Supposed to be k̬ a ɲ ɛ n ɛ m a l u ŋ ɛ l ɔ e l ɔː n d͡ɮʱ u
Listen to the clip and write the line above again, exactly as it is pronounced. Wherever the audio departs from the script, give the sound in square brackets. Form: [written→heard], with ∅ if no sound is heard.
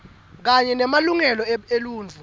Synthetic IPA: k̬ a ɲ ɛ n ɛ m a l u ŋ ɛ l ɔ e l [ɔː→uː] n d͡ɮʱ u